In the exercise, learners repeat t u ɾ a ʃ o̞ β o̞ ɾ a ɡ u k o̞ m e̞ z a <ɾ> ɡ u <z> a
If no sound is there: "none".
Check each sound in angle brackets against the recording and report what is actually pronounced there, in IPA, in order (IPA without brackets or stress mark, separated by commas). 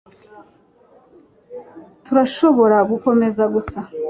none, s